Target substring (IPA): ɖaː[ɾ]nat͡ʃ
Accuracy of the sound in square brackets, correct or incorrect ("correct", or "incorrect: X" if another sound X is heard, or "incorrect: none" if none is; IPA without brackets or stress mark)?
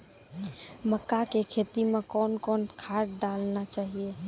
incorrect: l